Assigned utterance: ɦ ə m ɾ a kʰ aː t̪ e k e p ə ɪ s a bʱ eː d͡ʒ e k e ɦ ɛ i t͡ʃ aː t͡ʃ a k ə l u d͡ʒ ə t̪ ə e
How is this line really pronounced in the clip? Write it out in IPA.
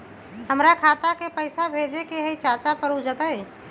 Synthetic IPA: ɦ ə m ɾ a kʰ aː t̪ a k e p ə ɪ s a bʱ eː d͡ʒ e k e ɦ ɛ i t͡ʃ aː t͡ʃ a p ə ɾ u d͡ʒ ə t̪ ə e